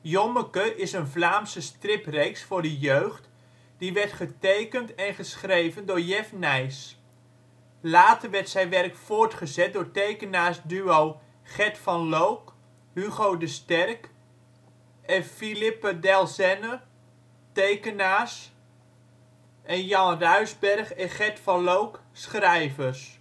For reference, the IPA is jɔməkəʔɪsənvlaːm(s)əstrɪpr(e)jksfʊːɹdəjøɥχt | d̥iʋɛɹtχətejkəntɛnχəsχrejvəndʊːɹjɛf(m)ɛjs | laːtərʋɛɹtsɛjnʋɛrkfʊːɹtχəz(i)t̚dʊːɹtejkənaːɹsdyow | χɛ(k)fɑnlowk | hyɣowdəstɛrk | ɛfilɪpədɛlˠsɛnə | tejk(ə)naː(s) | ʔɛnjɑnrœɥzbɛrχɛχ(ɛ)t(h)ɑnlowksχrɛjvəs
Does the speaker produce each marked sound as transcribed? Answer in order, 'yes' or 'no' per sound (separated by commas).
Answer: yes, yes, no, no, no, yes, yes, yes, no